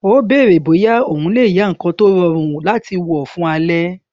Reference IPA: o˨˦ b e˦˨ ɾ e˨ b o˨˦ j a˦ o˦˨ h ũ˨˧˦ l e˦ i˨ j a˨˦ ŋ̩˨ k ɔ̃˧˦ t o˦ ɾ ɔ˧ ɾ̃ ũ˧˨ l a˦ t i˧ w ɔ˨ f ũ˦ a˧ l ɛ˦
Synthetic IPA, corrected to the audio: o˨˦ b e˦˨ ɾ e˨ b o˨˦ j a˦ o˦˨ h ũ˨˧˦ l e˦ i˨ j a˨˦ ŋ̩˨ k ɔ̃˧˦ t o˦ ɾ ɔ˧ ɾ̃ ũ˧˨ l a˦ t i˧ w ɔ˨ f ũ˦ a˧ l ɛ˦